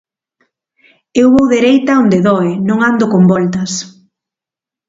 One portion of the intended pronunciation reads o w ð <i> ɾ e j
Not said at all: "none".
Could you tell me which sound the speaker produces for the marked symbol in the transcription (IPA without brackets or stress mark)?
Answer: e